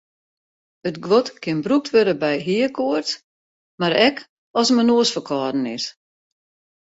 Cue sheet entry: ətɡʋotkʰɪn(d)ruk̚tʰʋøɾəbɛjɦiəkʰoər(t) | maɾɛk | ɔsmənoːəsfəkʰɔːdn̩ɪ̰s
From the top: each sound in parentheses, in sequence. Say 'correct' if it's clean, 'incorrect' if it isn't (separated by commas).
incorrect, correct